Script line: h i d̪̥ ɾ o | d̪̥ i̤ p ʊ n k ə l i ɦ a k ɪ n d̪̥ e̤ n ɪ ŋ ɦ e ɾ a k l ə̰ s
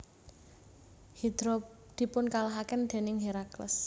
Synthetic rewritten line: h i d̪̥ ɾ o | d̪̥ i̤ p ʊ n k a l a ɦ a k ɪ n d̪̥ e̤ n ɪ ŋ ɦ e ɾ a k l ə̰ s